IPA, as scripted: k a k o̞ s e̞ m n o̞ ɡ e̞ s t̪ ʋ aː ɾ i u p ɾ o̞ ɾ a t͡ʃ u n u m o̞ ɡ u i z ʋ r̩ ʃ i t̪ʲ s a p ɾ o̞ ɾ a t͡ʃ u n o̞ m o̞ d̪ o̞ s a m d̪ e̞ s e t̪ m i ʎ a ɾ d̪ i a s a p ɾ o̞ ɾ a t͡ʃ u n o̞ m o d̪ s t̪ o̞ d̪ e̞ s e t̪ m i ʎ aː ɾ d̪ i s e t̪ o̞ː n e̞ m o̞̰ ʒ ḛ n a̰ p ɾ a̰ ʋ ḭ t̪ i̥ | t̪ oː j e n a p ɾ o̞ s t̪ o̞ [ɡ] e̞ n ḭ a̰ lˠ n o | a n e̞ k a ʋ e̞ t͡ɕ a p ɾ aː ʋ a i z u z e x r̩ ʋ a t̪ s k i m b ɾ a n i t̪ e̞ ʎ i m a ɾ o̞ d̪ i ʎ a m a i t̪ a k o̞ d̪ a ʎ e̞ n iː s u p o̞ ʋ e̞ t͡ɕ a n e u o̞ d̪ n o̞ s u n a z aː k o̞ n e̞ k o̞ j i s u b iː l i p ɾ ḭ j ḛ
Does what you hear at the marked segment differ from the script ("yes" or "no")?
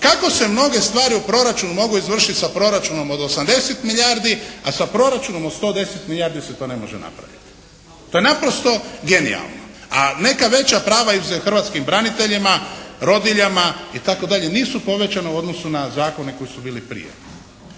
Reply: no